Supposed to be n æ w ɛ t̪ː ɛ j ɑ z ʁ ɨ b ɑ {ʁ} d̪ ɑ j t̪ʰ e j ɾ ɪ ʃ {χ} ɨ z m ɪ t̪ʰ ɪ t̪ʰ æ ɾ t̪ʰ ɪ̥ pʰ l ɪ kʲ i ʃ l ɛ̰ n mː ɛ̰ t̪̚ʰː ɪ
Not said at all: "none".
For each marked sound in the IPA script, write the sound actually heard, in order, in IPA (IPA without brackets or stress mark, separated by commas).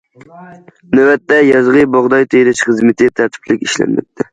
ʁ, χ